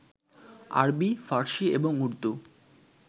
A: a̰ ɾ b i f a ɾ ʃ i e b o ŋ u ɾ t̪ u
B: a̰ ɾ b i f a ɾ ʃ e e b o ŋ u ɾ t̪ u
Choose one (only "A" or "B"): A